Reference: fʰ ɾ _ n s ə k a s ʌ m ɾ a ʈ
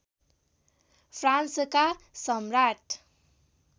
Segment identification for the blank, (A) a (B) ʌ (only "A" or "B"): A